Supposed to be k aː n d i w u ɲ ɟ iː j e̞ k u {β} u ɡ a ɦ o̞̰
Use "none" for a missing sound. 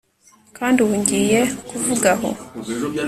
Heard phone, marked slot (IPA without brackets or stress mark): v